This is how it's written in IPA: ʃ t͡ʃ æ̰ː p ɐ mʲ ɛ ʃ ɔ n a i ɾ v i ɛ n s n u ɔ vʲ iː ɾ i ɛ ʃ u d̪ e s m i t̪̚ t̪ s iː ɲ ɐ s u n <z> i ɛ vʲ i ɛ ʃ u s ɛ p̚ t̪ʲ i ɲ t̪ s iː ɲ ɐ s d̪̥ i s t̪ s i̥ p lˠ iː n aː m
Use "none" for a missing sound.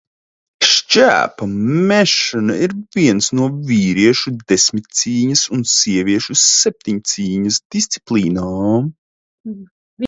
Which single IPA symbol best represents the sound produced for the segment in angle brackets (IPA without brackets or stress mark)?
s